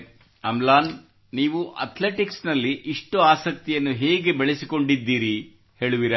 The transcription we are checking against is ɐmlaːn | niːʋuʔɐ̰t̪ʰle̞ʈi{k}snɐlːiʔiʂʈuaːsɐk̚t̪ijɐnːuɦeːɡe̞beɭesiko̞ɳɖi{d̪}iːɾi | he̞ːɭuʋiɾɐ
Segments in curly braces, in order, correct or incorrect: correct, incorrect: d̪ː

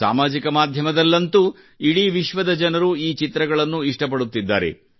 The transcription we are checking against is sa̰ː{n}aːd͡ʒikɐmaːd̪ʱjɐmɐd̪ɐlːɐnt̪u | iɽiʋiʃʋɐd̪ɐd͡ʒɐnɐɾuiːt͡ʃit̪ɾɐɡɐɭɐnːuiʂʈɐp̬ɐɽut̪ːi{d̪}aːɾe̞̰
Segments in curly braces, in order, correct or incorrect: incorrect: m, incorrect: d̪ː

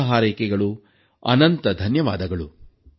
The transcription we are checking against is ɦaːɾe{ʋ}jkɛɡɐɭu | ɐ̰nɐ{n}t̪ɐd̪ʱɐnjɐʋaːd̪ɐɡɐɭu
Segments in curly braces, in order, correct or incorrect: incorrect: none, correct

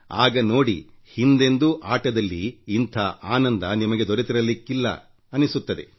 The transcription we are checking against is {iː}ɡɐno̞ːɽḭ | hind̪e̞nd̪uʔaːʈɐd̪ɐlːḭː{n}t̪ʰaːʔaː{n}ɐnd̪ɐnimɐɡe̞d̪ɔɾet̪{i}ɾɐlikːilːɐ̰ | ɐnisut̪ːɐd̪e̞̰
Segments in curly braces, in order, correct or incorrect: incorrect: aː, correct, correct, correct

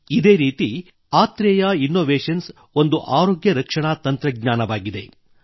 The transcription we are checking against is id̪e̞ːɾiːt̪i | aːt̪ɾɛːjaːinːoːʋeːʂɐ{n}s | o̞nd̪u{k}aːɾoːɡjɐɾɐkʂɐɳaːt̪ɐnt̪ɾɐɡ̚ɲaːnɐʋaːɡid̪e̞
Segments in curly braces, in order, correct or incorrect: correct, incorrect: ʔ

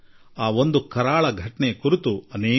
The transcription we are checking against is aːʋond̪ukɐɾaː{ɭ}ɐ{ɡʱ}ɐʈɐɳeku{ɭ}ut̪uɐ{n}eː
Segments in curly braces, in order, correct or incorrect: correct, correct, incorrect: ɾ, correct

